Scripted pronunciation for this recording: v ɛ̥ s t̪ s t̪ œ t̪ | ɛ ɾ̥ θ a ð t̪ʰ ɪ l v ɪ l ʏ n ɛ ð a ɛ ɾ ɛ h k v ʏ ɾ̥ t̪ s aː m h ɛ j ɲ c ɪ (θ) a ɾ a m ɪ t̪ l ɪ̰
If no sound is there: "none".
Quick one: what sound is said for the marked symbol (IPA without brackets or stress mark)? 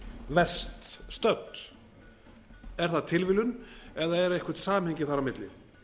θ